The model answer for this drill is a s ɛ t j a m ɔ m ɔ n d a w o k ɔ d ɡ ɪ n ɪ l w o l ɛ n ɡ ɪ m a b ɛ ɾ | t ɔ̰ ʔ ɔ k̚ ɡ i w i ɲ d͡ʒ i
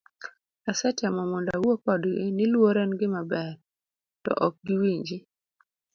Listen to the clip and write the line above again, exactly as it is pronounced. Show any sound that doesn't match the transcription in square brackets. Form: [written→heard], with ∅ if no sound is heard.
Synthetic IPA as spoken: a s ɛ t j a m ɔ m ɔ n d a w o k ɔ d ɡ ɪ n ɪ l w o [l→ɾ] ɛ n ɡ ɪ m a b ɛ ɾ | t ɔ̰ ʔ ɔ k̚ ɡ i w i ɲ d͡ʒ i